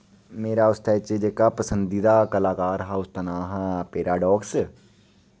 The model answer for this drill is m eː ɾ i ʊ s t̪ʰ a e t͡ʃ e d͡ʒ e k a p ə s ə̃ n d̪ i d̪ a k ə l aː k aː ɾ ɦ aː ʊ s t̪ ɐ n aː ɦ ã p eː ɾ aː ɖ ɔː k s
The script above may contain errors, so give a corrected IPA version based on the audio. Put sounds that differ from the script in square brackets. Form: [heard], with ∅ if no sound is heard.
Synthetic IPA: m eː ɾ [a] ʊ s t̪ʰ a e t͡ʃ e d͡ʒ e k a p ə s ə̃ n d̪ i d̪ a k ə l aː k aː ɾ ɦ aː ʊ s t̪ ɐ n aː ɦ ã p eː ɾ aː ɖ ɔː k s